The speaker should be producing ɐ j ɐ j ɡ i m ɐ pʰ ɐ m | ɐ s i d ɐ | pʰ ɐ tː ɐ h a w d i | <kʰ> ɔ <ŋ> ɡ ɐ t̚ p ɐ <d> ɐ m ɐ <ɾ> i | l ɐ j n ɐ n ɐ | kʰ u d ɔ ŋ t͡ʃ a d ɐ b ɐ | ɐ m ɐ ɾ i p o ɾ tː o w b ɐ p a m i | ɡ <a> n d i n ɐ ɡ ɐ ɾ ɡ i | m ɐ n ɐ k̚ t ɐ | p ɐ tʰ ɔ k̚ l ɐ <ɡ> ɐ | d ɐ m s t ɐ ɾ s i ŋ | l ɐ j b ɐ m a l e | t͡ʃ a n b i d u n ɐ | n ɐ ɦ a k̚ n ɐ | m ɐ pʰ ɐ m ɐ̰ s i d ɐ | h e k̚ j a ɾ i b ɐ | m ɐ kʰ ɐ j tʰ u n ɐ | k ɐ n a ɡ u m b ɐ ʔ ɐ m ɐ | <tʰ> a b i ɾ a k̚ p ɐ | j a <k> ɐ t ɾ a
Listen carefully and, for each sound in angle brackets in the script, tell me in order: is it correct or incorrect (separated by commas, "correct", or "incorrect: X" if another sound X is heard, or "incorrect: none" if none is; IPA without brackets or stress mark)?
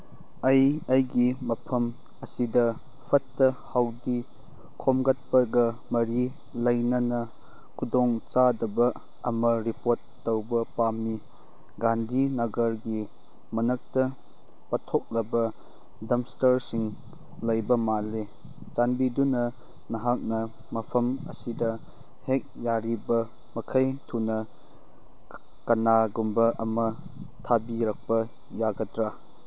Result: correct, incorrect: m, incorrect: ɡ, correct, correct, incorrect: b, correct, incorrect: ɡ